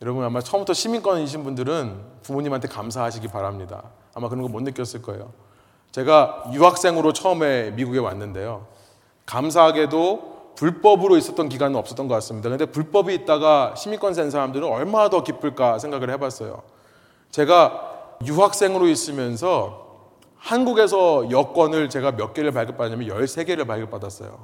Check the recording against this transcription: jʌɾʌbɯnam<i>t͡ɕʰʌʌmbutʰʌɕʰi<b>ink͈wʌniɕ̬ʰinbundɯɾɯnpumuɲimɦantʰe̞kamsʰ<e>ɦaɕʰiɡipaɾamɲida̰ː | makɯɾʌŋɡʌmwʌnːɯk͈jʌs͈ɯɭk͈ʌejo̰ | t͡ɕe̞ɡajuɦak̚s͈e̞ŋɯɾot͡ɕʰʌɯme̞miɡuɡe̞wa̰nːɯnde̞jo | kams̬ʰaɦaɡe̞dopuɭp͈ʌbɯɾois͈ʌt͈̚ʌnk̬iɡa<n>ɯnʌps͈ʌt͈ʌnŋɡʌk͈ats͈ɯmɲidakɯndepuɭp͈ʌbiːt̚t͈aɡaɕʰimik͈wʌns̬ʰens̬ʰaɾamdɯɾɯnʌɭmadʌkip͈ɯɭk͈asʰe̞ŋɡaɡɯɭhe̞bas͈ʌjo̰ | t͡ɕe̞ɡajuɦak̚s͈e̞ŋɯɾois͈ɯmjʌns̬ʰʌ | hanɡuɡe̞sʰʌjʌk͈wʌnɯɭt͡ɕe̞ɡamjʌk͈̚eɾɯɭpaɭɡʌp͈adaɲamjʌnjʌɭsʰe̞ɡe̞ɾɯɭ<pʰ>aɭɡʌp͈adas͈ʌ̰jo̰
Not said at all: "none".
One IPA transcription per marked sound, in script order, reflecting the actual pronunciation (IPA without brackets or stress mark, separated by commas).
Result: a, m, a, n, p